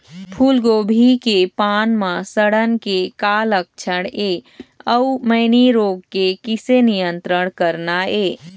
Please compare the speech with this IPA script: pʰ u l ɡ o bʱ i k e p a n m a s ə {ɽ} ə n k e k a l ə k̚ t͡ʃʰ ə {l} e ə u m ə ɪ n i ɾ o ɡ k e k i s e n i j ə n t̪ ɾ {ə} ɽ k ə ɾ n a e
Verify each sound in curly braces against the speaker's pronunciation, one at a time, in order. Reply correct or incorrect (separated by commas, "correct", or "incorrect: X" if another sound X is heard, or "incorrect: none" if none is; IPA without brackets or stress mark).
correct, incorrect: ɽ, correct